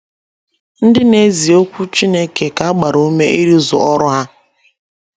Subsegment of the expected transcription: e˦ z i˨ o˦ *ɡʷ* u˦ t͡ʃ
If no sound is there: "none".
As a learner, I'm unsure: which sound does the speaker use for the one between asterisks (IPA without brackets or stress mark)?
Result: kʷ